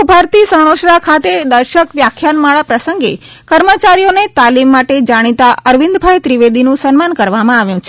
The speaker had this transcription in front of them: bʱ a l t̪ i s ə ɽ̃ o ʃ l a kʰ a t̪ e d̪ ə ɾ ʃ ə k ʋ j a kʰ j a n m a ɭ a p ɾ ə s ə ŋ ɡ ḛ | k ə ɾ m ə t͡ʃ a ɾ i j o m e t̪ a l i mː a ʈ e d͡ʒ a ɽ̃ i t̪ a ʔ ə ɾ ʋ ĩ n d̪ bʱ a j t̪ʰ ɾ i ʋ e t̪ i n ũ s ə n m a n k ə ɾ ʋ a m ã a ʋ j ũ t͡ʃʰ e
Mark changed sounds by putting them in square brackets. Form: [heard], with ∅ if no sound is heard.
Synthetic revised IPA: bʱ a [ɾ] t̪ i s ə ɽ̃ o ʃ [ɾ] a kʰ a t̪ e d̪ ə ɾ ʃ ə k ʋ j a kʰ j a n m a ɭ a p ɾ ə s ə ŋ ɡ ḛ | k ə ɾ m ə t͡ʃ a ɾ i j o [n] e t̪ a l i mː a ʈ e d͡ʒ a ɽ̃ i t̪ a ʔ ə ɾ ʋ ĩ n d̪ bʱ a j [t̪] ɾ i ʋ e [d̪] i n ũ s ə n m a n k ə ɾ ʋ a m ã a ʋ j ũ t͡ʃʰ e

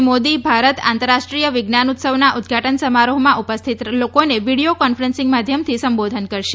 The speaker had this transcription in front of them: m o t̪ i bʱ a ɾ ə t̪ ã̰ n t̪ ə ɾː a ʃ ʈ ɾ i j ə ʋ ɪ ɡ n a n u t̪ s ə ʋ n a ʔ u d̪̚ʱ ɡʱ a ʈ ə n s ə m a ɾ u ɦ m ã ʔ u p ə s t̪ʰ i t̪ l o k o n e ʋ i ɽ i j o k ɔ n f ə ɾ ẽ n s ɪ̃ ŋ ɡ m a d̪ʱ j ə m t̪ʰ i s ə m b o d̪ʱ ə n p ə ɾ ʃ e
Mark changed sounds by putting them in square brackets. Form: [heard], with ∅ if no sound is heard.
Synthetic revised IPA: m o [d̪] i bʱ a ɾ ə t̪ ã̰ n t̪ ə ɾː a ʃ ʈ ɾ i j ə ʋ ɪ ɡ n a n u t̪ s ə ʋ n a ʔ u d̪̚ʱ ɡʱ a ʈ ə n s ə m a ɾ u ɦ m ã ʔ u p ə s t̪ʰ i t̪ l o k o n e ʋ i ɽ i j o k ɔ n f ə ɾ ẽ n s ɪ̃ ŋ ɡ m a d̪ʱ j ə m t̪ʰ i s ə m b o d̪ʱ ə n [k] ə ɾ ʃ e

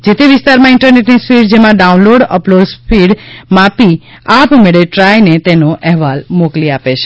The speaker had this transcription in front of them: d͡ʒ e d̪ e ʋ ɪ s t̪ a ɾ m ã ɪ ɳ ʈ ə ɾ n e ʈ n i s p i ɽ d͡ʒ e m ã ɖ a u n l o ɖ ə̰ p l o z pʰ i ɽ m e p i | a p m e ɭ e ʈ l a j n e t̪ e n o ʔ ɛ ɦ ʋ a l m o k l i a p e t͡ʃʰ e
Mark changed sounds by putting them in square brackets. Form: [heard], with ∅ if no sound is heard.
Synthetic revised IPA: d͡ʒ e [t̪] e ʋ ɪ s t̪ a ɾ m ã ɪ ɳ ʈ ə ɾ n e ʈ n i s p i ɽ d͡ʒ e m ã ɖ a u n l o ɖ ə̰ p l o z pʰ i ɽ m [a] p i | a p m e ɭ e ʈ [ɾ] a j n e t̪ e n o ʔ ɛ ɦ ʋ a l m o k l i a p e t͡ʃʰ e

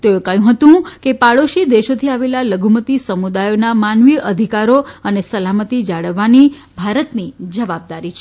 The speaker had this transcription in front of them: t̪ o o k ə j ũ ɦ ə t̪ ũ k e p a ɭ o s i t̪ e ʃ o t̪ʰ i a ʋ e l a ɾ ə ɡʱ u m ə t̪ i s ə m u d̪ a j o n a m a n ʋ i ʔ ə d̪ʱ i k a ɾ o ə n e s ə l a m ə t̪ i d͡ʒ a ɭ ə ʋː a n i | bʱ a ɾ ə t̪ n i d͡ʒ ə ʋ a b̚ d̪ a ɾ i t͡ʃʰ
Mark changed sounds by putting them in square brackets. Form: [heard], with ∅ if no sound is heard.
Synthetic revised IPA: t̪ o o k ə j ũ ɦ ə t̪ ũ k e p a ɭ o [ʃ] i [d̪] e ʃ o t̪ʰ i a ʋ e l a [l] ə ɡʱ u m ə t̪ i s ə m u d̪ a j o n a m a n ʋ i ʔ ə d̪ʱ i k a ɾ o ə n e s ə l a m ə t̪ i d͡ʒ a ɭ ə ʋː a n i | bʱ a ɾ ə t̪ n i d͡ʒ ə ʋ a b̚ d̪ a ɾ i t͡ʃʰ

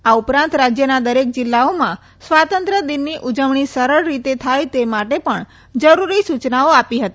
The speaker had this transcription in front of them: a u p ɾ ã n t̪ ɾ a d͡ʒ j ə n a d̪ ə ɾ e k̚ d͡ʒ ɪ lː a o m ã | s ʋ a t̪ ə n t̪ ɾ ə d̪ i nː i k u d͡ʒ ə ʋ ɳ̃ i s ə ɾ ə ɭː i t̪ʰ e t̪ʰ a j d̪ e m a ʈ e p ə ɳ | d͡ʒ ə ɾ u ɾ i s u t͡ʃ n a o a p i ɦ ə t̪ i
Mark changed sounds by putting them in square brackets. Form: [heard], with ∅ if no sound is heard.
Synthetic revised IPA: a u p ɾ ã n t̪ ɾ a d͡ʒ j ə n a d̪ ə ɾ e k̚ d͡ʒ ɪ lː a o m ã | s ʋ a t̪ ə n t̪ ɾ ə d̪ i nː i [ʔ] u d͡ʒ ə ʋ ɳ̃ i s ə ɾ ə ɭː i [t̪] e t̪ʰ a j [t̪] e m a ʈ e p ə ɳ | d͡ʒ ə ɾ u ɾ i s u t͡ʃ n a o a p i ɦ ə t̪ i

